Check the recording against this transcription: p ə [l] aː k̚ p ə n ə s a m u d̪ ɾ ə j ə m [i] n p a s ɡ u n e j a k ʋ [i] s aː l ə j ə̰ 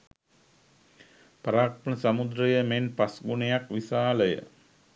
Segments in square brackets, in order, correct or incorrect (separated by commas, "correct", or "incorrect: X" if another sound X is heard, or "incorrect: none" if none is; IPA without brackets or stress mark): incorrect: ɾ, incorrect: e, correct